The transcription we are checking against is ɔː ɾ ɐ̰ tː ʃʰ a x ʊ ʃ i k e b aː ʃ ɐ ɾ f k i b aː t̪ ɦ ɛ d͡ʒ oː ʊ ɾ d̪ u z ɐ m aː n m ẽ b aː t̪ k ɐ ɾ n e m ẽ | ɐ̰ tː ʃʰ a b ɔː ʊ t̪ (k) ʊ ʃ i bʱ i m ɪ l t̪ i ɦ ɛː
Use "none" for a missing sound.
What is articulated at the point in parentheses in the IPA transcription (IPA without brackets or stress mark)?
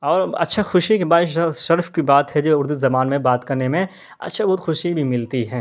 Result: x